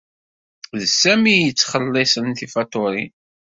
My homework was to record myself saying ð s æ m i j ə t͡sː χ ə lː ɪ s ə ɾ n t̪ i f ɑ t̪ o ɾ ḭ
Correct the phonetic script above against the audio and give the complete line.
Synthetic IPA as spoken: ð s æ m i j ə t͡sː χ ə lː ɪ s ə n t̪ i f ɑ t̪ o ɾ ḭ